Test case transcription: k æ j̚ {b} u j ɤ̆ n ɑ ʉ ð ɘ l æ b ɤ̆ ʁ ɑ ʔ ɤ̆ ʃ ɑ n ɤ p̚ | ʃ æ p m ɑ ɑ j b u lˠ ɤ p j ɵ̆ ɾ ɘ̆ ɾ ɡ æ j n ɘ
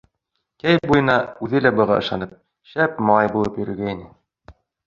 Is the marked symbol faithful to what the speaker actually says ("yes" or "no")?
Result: yes